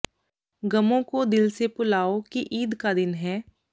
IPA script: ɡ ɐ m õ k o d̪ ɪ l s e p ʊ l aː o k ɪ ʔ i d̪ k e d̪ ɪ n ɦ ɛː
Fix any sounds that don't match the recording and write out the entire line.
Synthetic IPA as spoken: ɡ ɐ m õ k o d̪ ɪ l s e p ʊ l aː o k i ʔ iː d̪ k a d̪ ɪ n ɦ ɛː